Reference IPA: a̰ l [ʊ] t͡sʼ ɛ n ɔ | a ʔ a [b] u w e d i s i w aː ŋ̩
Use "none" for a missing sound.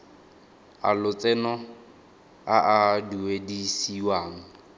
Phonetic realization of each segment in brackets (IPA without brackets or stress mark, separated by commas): ʊ, d